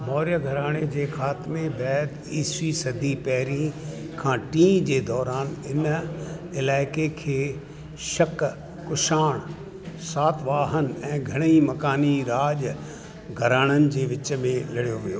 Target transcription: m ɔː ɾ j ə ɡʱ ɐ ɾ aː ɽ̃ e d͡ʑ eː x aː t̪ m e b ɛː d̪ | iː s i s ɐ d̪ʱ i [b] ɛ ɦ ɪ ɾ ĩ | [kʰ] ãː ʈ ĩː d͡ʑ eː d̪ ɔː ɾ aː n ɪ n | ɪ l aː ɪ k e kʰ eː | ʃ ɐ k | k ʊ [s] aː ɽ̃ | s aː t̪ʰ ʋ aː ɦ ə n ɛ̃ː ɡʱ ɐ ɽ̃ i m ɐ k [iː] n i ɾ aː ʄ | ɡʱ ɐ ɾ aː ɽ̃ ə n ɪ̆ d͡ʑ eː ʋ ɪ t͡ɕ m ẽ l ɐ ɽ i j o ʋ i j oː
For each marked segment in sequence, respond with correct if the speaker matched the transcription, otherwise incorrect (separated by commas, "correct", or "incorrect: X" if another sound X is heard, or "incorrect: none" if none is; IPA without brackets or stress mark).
incorrect: p, correct, incorrect: ʃ, incorrect: aː